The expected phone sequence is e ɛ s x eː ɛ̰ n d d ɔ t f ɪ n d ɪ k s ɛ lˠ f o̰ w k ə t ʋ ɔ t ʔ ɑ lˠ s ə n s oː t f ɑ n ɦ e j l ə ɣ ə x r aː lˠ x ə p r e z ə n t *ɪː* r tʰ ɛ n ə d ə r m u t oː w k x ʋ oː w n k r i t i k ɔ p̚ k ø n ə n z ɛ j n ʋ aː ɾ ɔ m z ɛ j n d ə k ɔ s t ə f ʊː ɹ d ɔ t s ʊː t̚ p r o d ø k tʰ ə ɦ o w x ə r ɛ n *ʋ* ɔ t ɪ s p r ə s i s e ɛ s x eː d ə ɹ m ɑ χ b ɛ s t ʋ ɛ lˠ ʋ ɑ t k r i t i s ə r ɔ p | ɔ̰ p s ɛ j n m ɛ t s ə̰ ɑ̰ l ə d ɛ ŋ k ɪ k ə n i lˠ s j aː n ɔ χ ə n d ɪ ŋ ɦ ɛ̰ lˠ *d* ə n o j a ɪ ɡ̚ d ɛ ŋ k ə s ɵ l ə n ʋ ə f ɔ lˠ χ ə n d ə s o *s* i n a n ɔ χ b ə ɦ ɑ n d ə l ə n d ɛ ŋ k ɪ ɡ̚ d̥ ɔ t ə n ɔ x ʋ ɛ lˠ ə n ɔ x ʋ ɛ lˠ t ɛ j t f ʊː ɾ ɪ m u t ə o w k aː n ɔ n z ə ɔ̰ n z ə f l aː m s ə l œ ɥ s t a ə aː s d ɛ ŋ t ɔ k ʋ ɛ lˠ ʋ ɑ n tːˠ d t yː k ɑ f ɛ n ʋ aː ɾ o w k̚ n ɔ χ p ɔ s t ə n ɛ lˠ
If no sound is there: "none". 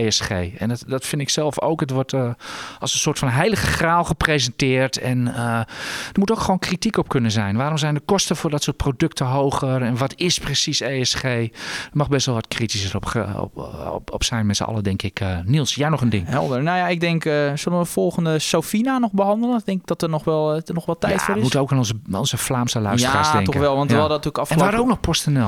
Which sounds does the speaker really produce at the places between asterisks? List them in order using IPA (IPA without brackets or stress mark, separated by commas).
ɪː, ʋ, d, f